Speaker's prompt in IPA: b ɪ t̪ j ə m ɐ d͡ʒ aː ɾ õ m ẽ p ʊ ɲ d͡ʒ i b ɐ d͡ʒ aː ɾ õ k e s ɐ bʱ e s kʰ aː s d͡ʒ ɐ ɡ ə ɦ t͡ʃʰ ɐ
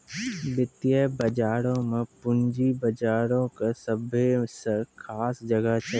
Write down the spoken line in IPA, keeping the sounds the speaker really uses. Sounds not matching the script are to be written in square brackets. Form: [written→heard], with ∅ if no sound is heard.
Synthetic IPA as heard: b ɪ t̪ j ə [m→b] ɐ d͡ʒ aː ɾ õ m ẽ p ʊ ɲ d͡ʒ i b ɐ d͡ʒ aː ɾ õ k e s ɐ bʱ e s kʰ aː s d͡ʒ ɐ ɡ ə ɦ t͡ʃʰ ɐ